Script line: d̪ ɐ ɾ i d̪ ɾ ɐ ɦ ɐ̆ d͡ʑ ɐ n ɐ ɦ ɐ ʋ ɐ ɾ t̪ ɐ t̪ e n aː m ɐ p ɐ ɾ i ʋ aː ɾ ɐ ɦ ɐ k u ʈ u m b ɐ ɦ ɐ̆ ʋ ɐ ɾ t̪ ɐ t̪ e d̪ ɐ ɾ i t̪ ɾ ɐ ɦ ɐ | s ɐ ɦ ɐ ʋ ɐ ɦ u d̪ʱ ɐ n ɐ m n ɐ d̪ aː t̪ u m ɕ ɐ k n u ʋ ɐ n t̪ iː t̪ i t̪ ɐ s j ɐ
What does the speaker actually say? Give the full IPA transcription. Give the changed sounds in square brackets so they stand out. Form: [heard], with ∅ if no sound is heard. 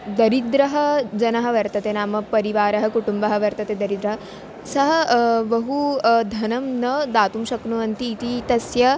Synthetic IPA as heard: d̪ ɐ ɾ i d̪ ɾ ɐ ɦ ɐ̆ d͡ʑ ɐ n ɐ ɦ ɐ ʋ ɐ ɾ t̪ ɐ t̪ e n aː m ɐ p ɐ ɾ i ʋ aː ɾ ɐ ɦ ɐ k u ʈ u m b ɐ ɦ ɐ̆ ʋ ɐ ɾ t̪ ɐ t̪ e d̪ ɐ ɾ i [d̪] ɾ ɐ ɦ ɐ | s ɐ ɦ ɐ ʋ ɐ ɦ u d̪ʱ ɐ n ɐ m n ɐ d̪ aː t̪ u m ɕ ɐ k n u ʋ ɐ n t̪ iː t̪ i t̪ ɐ s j ɐ

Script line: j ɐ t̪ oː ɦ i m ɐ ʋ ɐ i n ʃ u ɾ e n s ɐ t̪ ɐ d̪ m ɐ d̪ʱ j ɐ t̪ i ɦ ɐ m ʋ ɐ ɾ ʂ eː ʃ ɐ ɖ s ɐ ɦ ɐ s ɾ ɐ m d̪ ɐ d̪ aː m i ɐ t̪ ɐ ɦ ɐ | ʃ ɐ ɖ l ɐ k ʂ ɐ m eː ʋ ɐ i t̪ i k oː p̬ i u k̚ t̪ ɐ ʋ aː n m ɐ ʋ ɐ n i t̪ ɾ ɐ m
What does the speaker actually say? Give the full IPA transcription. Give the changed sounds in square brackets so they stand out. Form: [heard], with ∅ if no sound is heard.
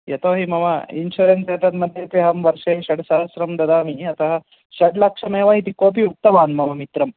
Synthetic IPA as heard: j ɐ t̪ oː ɦ i m ɐ ʋ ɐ i n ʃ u ɾ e n s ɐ t̪ ɐ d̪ m ɐ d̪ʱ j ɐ t̪ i ɦ ɐ m ʋ ɐ ɾ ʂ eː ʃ ɐ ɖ s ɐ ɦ ɐ s ɾ ɐ m d̪ ɐ d̪ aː m i ɐ t̪ ɐ ɦ ɐ | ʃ ɐ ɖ l ɐ k ʂ ɐ m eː ʋ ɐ i t̪ i k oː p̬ i u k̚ t̪ ɐ ʋ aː n m ɐ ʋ ɐ [m] i t̪ ɾ ɐ m

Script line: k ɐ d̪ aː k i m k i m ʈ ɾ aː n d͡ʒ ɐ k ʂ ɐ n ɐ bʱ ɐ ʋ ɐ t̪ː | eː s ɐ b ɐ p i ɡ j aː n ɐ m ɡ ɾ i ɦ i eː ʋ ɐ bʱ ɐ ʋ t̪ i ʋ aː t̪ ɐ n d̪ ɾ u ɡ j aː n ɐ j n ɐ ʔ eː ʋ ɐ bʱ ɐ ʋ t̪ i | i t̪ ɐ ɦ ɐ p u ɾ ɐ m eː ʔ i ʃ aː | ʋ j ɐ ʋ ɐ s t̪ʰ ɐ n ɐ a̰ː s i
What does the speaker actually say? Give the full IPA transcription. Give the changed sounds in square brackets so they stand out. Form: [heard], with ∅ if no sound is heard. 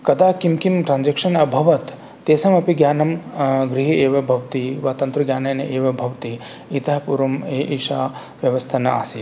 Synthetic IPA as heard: k ɐ d̪ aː k i m k i m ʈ ɾ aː n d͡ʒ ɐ k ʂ ɐ n ɐ bʱ ɐ ʋ ɐ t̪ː | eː s ɐ [m] ɐ p i ɡ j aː n ɐ m ɡ ɾ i ɦ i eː ʋ ɐ bʱ ɐ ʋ t̪ i ʋ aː t̪ ɐ n [t̪] ɾ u ɡ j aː n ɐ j n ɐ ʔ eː ʋ ɐ bʱ ɐ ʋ t̪ i | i t̪ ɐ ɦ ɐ p u ɾ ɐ m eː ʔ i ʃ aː | ʋ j ɐ ʋ ɐ s t̪ʰ ɐ n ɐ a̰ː s i

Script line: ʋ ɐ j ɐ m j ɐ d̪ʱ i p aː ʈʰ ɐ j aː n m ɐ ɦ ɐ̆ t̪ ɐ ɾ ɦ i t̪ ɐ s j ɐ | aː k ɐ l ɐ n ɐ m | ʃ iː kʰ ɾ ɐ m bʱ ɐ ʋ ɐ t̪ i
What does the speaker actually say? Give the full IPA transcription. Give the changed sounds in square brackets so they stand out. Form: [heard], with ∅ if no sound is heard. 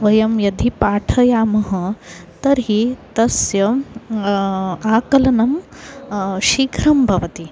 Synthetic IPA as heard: ʋ ɐ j ɐ m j ɐ d̪ʱ i p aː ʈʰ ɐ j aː [∅] m ɐ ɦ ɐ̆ t̪ ɐ ɾ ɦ i t̪ ɐ s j ɐ | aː k ɐ l ɐ n ɐ m | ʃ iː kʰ ɾ ɐ m bʱ ɐ ʋ ɐ t̪ i

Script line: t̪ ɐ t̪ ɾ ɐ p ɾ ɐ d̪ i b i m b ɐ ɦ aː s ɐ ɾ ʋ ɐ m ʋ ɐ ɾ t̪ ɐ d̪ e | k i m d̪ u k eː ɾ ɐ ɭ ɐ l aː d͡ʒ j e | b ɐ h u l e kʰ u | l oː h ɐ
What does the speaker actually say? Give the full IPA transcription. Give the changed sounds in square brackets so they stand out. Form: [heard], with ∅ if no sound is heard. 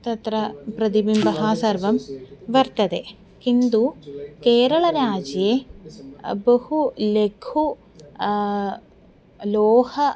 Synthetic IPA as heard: t̪ ɐ t̪ ɾ ɐ p ɾ ɐ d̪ i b i m b ɐ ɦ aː s ɐ ɾ ʋ ɐ m ʋ ɐ ɾ t̪ ɐ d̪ e | k i [n] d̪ u k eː ɾ ɐ ɭ ɐ [ɾ] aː d͡ʒ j e | b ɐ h u l e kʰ u | l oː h ɐ

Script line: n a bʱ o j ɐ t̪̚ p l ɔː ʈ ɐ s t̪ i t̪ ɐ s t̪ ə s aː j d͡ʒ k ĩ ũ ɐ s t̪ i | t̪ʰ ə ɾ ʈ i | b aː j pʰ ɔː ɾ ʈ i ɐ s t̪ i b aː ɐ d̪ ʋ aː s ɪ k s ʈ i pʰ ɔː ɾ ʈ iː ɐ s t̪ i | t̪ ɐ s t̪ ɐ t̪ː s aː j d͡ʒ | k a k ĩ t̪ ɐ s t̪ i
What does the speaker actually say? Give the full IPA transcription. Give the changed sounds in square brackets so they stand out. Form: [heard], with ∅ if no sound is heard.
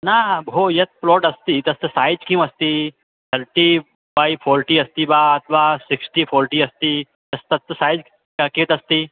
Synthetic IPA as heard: n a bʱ o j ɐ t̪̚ p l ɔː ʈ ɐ s t̪ i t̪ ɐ s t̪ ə s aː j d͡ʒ k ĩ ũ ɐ s t̪ i | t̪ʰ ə ɾ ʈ i | b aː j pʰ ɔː ɾ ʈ i ɐ s t̪ i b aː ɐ [t̪] ʋ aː s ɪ k s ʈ i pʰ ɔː ɾ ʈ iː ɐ s t̪ i | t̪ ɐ s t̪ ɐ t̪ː s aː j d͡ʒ | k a k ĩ t̪ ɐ s t̪ i

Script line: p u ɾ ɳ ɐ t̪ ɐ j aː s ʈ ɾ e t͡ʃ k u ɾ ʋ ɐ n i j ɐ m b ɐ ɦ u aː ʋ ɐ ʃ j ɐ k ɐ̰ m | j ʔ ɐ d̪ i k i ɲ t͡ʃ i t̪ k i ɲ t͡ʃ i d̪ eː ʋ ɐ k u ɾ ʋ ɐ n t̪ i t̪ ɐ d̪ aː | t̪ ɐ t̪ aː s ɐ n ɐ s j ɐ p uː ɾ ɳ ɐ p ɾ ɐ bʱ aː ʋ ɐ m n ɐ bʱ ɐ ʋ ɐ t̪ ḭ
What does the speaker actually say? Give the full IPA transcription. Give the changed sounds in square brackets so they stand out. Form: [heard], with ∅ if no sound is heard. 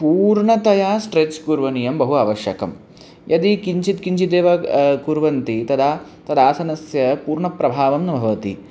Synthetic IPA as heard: p [uː] ɾ ɳ ɐ t̪ ɐ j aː s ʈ ɾ e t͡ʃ k u ɾ ʋ ɐ n i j ɐ m b ɐ ɦ u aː ʋ ɐ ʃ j ɐ k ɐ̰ m | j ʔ ɐ d̪ i k i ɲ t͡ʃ i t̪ k i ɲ t͡ʃ i d̪ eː ʋ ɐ k u ɾ ʋ ɐ n t̪ i t̪ ɐ d̪ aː | t̪ ɐ [d̪] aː s ɐ n ɐ s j ɐ p uː ɾ ɳ ɐ p ɾ ɐ bʱ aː ʋ ɐ m n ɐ bʱ ɐ ʋ ɐ t̪ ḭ

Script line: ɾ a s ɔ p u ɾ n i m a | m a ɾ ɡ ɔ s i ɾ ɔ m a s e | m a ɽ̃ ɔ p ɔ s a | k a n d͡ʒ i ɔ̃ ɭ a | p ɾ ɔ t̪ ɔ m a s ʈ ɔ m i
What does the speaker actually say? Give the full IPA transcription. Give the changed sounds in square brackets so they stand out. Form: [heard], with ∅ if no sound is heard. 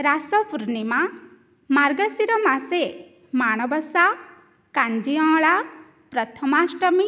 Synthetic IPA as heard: ɾ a s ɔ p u ɾ n i m a | m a ɾ ɡ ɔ s i ɾ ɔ m a s e | m a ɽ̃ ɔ [b] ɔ s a | k a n d͡ʒ i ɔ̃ ɭ a | p ɾ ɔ [t̪ʰ] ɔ m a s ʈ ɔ m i

